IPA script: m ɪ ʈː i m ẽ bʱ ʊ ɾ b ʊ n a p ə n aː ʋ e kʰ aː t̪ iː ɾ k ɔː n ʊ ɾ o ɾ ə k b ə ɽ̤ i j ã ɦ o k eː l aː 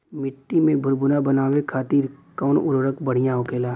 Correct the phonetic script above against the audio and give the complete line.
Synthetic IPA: m ɪ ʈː i m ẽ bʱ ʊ ɾ b ʊ n a b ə n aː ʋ e kʰ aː t̪ iː ɾ k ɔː n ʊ ɾ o ɾ ə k b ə ɽ̤ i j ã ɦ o k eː l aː